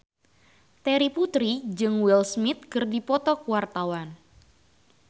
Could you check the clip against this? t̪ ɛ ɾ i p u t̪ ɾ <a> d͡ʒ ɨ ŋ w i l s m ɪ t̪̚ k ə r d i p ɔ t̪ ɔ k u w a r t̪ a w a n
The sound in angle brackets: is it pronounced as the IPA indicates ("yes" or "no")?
no